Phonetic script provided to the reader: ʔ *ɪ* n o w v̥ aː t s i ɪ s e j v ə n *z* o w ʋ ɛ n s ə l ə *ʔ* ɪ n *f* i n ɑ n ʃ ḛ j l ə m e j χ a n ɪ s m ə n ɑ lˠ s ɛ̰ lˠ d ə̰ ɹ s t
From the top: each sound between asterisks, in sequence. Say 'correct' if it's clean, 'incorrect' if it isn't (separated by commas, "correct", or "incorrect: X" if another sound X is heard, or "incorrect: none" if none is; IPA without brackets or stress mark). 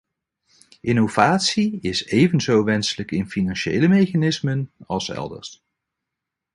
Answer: correct, correct, incorrect: k, correct